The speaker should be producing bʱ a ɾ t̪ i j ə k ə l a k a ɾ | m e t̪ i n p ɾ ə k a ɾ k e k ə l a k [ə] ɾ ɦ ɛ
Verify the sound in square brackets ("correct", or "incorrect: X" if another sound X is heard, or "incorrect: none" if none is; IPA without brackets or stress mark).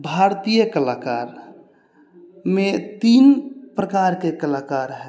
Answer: incorrect: a